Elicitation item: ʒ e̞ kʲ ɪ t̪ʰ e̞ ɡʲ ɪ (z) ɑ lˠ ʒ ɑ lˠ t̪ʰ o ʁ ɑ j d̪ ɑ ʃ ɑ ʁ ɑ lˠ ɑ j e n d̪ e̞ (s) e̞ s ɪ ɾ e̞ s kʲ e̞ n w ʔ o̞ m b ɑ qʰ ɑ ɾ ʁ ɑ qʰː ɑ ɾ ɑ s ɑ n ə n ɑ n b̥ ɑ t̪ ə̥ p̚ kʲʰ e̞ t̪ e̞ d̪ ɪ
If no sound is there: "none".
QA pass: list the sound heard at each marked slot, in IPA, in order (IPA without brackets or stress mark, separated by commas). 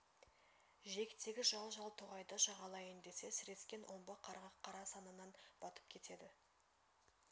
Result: ʒ, s